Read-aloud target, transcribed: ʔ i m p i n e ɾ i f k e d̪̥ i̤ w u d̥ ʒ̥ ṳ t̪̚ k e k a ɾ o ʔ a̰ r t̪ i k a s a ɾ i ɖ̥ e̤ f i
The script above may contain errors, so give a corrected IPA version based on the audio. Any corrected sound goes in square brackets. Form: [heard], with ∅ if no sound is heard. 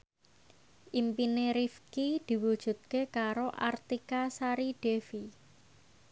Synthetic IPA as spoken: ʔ i m p i n e ɾ i f k [i] d̪̥ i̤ w u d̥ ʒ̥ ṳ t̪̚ k e k a ɾ o ʔ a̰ r t̪ i k a s a ɾ i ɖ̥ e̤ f i